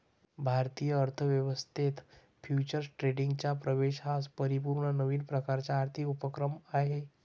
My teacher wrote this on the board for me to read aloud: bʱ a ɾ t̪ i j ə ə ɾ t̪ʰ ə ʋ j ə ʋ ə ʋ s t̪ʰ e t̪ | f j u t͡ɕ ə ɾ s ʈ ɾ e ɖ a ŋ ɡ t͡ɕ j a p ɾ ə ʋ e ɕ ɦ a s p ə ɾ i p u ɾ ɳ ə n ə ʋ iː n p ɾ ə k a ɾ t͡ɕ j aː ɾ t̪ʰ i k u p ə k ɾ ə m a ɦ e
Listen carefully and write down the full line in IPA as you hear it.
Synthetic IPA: bʱ a ɾ t̪ i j ə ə ɾ t̪ʰ ə ʋ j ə ʋ ə s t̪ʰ e t̪ | f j u t͡ɕ ə ɾ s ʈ ɾ e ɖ i ŋ ɡ t͡ɕ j a p ɾ ə ʋ e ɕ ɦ a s p ə ɾ i p u ɾ ɳ ə n ə ʋ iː n p ɾ ə k a ɾ t͡ɕ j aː ɾ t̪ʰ i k u p ə k ɾ ə m a ɦ e